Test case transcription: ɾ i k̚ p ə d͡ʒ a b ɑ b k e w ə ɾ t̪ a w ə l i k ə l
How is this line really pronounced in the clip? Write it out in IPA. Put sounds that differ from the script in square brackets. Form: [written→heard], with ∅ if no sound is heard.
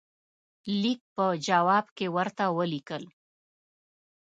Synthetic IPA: [ɾ→l] i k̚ p ə d͡ʒ a [b→w] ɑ b k e w ə ɾ t̪ a w ə l i k ə l